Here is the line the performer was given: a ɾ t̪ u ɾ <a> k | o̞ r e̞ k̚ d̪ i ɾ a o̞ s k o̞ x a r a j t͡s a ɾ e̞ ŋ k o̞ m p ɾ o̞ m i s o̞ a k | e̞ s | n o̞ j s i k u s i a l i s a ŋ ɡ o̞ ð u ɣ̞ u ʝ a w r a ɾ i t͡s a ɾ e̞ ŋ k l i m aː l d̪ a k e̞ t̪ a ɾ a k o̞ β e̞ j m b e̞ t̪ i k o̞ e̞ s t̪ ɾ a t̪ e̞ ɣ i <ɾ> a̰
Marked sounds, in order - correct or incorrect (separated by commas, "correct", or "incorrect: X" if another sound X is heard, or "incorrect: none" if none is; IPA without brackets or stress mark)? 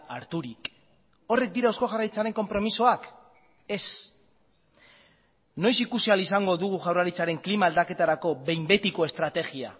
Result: incorrect: i, incorrect: none